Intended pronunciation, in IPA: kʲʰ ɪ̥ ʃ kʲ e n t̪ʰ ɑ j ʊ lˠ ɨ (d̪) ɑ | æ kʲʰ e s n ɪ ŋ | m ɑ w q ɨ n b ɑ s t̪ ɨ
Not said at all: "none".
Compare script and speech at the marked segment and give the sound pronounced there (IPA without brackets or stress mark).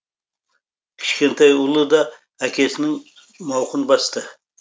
d̪